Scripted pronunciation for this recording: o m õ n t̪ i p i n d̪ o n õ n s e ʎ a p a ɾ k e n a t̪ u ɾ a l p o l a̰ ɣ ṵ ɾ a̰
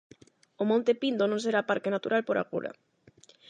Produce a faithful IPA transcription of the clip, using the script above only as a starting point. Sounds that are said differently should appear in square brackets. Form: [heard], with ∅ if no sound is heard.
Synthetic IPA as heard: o m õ n t̪ [e] p i n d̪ o n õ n s e [ɾ] a p a ɾ k e n a t̪ u ɾ a l p o [ɾ] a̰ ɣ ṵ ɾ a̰